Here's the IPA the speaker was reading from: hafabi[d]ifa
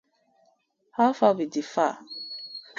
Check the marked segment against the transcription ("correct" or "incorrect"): correct